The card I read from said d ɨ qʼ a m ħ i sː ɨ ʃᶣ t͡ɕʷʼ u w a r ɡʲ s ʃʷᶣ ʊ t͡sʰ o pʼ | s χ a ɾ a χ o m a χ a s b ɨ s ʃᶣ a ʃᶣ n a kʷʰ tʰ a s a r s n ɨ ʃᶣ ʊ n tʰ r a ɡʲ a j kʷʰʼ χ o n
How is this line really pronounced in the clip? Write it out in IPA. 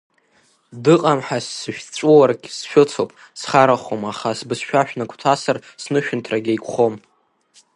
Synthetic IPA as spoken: d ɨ qʼ a m ħ a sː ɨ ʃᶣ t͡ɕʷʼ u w a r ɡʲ s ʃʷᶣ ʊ t͡sʰ o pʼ | s χ a ɾ a χ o m a χ a s b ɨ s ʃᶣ a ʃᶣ n a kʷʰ tʰ a s a r s n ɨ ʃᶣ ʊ n tʰ r a ɡʲ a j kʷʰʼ χ o m